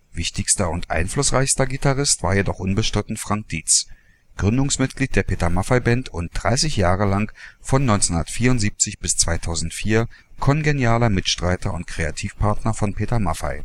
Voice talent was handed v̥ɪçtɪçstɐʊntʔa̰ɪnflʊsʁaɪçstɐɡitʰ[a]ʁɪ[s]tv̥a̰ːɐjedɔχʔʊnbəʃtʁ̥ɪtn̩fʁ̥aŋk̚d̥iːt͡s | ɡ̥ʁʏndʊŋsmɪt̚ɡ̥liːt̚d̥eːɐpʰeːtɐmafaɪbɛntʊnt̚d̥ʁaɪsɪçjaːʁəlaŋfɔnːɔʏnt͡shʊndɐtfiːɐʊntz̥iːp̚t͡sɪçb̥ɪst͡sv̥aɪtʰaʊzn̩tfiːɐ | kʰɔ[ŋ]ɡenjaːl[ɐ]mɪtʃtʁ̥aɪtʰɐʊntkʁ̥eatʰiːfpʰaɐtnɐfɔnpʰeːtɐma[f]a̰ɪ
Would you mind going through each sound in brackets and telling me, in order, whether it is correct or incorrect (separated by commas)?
correct, correct, incorrect, correct, correct